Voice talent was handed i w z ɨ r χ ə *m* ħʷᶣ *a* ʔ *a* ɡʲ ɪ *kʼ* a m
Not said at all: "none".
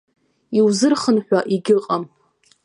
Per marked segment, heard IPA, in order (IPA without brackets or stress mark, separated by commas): n, a, i, qʼ